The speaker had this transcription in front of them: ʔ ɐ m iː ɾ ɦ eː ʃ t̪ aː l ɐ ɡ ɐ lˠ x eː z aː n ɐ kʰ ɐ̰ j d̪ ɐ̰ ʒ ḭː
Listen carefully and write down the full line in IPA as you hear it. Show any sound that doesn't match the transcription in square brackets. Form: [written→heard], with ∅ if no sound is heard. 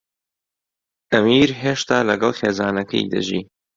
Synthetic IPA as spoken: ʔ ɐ m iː ɾ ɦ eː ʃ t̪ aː l ɐ ɡ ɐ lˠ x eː z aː n ɐ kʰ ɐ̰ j d̪ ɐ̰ ʒ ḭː